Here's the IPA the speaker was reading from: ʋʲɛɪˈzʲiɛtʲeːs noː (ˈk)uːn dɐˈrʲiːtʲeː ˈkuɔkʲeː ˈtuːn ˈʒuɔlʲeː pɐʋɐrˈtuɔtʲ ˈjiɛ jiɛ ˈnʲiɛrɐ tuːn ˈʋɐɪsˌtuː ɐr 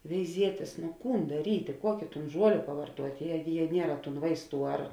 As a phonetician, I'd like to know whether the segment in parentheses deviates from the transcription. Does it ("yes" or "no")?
no